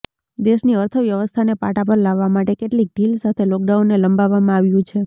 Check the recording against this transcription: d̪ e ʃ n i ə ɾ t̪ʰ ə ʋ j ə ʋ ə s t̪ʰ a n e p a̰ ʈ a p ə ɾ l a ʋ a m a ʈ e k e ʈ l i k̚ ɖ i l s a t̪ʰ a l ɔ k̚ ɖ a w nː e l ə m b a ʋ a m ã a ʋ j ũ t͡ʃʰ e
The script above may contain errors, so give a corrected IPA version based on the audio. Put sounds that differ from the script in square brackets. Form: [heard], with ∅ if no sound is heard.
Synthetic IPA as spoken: d̪ e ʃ n i ə ɾ t̪ʰ ə ʋ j ə ʋ ə s t̪ʰ a n e p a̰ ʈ a p ə ɾ l a [ʋː] a m a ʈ e k e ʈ l i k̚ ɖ i l s a t̪ʰ [e] l ɔ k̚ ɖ a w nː e l ə m b a ʋ a m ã a ʋ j ũ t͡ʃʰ e